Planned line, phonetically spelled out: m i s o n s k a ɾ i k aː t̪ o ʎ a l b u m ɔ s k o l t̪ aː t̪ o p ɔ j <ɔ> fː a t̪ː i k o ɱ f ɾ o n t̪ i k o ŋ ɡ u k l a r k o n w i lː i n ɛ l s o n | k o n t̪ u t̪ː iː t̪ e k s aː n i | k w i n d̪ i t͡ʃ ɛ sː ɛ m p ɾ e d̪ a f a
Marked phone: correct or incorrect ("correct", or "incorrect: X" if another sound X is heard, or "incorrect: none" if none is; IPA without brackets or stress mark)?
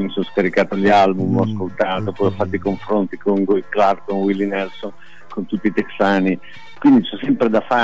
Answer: correct